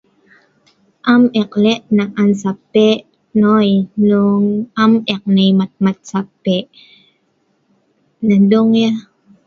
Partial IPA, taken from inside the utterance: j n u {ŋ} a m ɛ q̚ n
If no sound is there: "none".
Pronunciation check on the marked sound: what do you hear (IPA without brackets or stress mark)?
ŋ